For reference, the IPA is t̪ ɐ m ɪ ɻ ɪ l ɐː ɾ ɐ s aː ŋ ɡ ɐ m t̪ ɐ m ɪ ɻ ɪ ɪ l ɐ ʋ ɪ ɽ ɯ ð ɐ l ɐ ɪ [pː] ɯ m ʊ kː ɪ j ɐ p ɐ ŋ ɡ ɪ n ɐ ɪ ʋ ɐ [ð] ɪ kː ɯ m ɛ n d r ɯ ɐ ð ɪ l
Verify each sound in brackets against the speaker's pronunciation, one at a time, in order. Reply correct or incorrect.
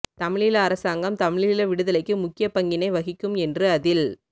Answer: incorrect: kː, incorrect: ɣ

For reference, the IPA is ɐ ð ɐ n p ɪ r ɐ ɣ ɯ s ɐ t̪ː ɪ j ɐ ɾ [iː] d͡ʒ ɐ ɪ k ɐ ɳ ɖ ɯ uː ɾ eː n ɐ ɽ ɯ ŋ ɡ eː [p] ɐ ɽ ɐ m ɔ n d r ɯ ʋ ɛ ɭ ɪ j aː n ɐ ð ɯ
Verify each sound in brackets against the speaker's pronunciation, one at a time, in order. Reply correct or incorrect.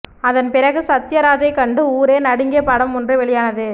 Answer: incorrect: aː, correct

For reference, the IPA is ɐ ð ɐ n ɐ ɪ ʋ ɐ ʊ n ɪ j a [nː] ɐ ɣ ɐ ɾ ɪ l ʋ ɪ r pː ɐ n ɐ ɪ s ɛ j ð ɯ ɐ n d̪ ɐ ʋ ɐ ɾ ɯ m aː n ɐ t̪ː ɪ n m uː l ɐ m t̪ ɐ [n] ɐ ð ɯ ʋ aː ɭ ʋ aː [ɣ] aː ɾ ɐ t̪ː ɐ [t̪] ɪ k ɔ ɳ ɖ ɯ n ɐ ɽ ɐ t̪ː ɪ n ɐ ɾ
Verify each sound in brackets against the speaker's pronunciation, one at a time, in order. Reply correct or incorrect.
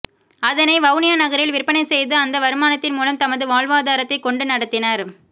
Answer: incorrect: n, incorrect: m, incorrect: ð, incorrect: none

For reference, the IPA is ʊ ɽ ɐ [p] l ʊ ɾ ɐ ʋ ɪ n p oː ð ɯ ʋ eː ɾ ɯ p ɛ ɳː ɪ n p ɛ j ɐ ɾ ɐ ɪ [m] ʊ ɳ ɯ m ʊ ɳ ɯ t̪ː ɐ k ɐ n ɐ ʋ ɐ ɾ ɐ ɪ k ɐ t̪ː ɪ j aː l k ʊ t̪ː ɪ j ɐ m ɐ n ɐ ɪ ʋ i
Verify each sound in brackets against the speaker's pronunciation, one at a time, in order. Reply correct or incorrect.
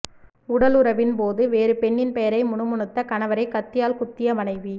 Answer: incorrect: none, correct

